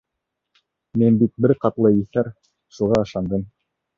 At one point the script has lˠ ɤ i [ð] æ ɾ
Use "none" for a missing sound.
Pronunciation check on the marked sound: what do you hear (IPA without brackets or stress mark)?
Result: θ